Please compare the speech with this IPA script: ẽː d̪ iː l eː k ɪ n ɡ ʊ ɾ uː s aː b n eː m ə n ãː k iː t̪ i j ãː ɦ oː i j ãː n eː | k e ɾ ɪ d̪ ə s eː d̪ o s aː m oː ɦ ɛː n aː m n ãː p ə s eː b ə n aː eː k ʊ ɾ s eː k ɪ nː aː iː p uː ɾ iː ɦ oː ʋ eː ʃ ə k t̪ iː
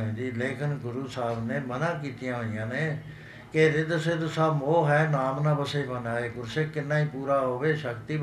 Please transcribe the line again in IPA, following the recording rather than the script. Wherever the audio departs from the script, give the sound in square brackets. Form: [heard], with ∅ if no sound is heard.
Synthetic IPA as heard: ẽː d̪ iː l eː k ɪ n ɡ ʊ ɾ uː s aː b n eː m ə n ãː k iː t̪ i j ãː ɦ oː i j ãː n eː | k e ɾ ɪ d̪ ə s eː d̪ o s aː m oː ɦ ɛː n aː m n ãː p ə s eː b ə n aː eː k ʊ ɾ s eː k ɪ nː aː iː p uː ɾ [aː] ɦ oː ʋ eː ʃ ə k t̪ iː